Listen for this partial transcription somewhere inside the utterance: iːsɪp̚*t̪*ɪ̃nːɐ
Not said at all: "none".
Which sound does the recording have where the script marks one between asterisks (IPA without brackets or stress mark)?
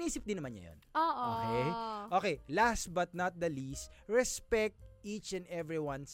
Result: d̪